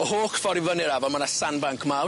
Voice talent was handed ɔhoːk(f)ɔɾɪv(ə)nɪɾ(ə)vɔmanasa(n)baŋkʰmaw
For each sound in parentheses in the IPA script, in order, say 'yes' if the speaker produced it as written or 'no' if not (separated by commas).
yes, yes, no, yes